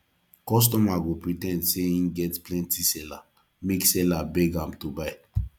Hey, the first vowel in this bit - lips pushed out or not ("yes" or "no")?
yes